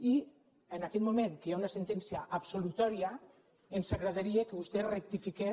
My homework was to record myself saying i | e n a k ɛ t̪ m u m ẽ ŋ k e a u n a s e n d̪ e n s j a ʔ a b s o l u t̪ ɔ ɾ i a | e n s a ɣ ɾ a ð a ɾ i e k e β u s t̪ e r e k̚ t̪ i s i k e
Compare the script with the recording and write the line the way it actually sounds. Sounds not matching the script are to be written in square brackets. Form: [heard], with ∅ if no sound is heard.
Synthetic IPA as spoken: i | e n a k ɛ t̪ m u m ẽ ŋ k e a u n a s e n [t̪] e n s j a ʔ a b s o l u t̪ ɔ ɾ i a | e n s a ɣ ɾ a ð a ɾ i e k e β u s t̪ e r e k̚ t̪ i [f] i k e